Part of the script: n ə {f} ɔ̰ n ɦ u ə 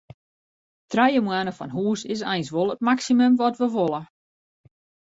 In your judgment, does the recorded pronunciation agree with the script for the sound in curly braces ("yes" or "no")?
yes